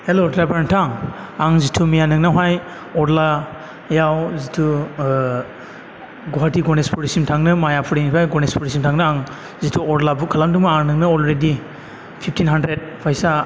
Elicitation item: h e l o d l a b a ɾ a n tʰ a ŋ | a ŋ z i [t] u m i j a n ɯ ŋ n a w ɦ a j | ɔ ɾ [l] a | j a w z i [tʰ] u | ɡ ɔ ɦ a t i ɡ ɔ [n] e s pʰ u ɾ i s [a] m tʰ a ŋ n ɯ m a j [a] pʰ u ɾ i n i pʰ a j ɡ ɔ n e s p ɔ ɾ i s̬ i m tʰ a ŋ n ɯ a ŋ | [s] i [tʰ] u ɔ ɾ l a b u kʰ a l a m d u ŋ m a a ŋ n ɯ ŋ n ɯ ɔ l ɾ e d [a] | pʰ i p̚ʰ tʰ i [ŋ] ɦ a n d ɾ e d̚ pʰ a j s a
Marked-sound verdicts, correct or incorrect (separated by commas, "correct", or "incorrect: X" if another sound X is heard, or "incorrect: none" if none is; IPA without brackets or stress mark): incorrect: tʰ, correct, correct, correct, incorrect: i, correct, incorrect: z, correct, incorrect: i, incorrect: n